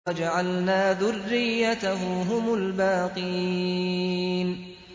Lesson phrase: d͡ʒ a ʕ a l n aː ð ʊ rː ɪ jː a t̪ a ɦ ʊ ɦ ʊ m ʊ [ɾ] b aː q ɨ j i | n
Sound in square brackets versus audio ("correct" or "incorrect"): incorrect